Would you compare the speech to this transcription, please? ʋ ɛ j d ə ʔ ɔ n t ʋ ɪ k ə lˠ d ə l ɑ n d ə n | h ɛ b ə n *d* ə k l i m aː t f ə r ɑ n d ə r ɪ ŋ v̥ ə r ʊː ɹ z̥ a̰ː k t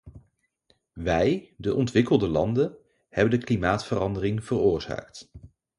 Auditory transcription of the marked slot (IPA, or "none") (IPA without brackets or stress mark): d